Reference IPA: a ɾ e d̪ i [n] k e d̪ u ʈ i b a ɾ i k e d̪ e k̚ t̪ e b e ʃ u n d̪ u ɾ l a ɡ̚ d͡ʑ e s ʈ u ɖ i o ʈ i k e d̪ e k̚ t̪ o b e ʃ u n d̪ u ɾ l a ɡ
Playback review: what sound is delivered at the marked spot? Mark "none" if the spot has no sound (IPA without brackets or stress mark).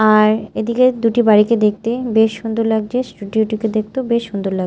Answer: none